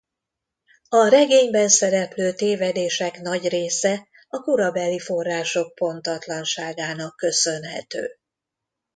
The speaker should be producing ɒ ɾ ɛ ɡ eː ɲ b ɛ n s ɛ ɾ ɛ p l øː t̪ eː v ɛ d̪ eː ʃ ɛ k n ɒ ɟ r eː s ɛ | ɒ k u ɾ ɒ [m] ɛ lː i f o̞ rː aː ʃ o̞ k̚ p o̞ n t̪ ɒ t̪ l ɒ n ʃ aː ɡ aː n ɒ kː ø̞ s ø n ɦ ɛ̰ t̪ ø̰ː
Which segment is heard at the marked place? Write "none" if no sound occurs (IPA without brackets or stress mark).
b